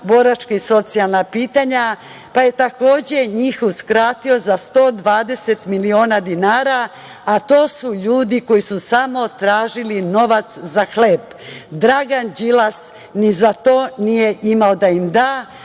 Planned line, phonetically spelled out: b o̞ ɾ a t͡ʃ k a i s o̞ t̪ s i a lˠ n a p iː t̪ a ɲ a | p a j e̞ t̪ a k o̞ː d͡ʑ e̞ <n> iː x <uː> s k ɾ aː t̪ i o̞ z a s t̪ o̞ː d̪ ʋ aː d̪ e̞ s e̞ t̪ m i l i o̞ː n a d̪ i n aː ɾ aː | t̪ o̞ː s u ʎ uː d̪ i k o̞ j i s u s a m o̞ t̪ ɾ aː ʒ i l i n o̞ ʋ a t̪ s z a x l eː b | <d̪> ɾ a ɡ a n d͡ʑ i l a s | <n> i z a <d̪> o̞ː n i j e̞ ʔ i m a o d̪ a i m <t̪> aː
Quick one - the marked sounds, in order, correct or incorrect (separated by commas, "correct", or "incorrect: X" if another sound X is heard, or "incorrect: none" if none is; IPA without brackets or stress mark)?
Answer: incorrect: ɲ, incorrect: u, correct, correct, incorrect: t̪, incorrect: d̪